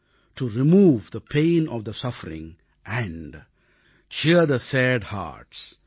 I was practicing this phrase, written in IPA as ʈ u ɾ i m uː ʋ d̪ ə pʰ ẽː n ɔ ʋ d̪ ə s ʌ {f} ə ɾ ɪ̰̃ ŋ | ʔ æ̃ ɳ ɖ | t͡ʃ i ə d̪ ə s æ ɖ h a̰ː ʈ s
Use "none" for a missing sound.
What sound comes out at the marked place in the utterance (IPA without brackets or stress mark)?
f